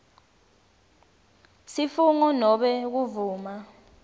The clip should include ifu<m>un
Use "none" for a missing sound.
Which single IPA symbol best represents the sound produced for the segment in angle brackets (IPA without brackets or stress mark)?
ŋ